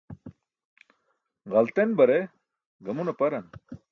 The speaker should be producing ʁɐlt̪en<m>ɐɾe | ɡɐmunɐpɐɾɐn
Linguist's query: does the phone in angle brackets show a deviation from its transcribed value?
yes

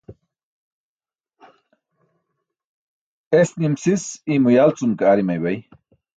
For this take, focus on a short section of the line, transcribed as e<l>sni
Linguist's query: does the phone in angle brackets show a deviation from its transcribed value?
yes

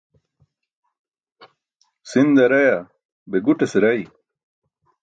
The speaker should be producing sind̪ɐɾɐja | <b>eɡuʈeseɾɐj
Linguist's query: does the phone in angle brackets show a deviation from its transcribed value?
no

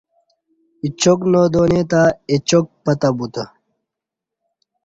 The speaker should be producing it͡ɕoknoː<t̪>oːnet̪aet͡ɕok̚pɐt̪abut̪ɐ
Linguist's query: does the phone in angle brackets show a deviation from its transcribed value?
yes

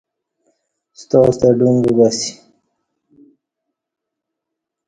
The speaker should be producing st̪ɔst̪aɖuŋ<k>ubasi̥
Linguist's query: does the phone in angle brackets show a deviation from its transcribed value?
yes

